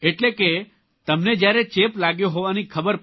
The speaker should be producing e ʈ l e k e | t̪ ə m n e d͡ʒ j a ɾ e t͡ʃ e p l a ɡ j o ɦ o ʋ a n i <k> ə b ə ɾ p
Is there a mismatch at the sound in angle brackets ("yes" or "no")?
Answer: yes